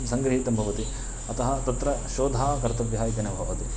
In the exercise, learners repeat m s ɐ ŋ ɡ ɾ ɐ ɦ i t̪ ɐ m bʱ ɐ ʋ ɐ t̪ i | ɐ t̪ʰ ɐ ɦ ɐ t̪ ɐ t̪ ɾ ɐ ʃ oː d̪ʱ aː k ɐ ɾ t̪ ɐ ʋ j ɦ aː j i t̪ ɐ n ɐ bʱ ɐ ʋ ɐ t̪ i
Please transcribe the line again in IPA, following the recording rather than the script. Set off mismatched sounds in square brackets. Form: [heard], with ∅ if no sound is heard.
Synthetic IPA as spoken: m s ɐ ŋ ɡ ɾ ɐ ɦ i t̪ ɐ m bʱ ɐ ʋ ɐ t̪ i | ɐ [t̪] ɐ ɦ ɐ t̪ ɐ t̪ ɾ ɐ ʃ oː d̪ʱ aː k ɐ ɾ t̪ ɐ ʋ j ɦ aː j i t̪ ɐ n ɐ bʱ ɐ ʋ ɐ t̪ i